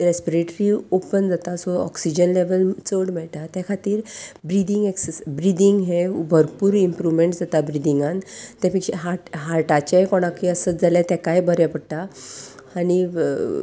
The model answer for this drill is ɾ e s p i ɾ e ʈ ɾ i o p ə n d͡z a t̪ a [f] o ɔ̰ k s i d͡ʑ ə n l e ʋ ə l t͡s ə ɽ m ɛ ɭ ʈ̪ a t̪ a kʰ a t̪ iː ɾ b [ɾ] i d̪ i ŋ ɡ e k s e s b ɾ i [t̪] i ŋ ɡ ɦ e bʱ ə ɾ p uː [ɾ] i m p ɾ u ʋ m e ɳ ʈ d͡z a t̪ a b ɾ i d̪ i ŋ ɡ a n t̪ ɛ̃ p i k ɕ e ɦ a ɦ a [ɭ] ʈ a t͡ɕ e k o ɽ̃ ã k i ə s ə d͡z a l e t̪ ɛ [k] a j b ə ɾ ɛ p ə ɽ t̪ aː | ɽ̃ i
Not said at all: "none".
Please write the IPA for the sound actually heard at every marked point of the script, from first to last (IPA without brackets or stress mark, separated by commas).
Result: s, ɾ, d̪, ɾ, ɾ, k